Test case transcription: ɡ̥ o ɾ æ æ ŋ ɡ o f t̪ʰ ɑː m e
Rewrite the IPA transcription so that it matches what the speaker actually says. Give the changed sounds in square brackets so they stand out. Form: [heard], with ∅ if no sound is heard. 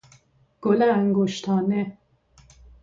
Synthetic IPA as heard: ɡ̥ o [l] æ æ ŋ ɡ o [ʃ] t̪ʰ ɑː [n] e